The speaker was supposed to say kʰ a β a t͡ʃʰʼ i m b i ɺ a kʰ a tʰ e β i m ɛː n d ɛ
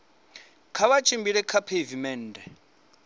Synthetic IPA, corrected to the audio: kʰ a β a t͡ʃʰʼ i m b i ɺ ɛ kʰ a pʰ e v i m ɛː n d ɛ